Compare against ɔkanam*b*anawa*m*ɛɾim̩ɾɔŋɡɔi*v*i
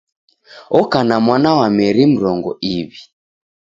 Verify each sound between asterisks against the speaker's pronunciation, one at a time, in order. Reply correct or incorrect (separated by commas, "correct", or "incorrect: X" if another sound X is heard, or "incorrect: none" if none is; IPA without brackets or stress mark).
incorrect: w, correct, incorrect: β